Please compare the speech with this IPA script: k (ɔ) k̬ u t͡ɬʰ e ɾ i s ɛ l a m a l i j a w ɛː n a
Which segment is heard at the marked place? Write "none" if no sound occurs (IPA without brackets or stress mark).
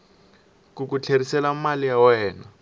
u